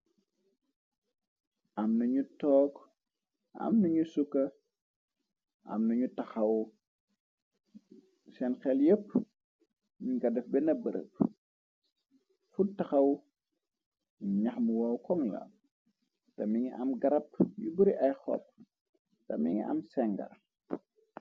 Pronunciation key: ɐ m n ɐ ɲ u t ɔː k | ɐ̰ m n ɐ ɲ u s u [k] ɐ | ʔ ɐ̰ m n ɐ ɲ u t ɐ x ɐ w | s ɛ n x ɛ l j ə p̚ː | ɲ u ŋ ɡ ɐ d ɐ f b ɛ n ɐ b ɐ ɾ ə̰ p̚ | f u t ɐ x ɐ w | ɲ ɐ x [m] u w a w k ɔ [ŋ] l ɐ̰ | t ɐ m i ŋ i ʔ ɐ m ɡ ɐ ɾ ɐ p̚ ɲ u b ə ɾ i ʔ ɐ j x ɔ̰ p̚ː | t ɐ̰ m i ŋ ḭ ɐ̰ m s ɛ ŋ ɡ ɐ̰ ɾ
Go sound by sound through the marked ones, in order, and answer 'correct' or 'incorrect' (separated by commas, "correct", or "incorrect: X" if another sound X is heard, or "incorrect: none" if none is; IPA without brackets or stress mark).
correct, correct, correct